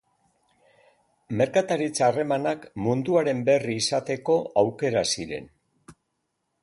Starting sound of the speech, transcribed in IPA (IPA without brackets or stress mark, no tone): m